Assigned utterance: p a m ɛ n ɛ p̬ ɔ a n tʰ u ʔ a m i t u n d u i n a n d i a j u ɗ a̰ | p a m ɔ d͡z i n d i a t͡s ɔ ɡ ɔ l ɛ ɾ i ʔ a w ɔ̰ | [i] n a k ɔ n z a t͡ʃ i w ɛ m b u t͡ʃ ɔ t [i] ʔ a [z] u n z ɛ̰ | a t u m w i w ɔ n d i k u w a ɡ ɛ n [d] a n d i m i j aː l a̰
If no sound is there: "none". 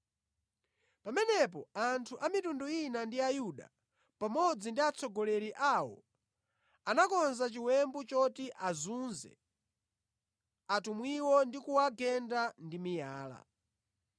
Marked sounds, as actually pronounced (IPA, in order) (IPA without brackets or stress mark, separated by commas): a, i, z, d